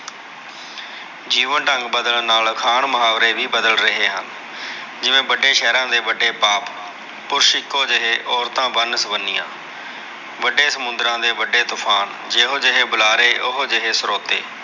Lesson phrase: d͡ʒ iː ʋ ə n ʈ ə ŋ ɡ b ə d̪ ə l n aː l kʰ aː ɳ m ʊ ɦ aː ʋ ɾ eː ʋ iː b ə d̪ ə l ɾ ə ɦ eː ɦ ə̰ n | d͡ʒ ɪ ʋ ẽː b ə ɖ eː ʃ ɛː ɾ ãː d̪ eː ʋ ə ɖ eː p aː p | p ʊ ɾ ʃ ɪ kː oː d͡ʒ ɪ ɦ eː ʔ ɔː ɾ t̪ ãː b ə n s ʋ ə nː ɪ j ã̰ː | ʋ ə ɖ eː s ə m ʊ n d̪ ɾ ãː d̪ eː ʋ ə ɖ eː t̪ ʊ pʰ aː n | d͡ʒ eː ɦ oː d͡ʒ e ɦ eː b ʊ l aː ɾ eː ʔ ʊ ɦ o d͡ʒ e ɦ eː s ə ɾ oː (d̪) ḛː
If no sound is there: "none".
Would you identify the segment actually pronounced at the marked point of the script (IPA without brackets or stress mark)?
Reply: t̪